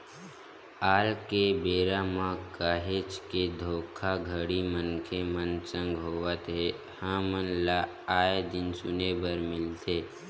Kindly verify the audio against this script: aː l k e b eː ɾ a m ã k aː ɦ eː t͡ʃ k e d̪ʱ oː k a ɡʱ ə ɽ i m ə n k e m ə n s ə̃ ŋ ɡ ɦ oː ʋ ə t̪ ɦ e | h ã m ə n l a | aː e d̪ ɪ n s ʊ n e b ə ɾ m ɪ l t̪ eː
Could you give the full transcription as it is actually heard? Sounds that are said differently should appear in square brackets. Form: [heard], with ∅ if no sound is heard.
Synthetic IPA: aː l k e b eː ɾ a m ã k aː ɦ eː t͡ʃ k e d̪ʱ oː [kʰ] a ɡʱ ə ɽ i m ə n [kʰ] e m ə n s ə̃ ŋ ɡ ɦ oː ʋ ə t̪ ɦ e | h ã m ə n l a | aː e d̪ ɪ n s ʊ n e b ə ɾ m ɪ l t̪ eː